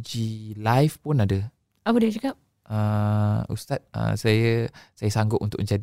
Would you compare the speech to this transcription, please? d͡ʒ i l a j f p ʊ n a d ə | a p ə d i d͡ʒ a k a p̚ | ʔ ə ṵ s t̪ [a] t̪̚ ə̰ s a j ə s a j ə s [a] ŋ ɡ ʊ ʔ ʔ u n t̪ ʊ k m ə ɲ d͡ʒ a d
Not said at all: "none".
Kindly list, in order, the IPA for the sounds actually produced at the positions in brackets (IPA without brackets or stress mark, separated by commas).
a, a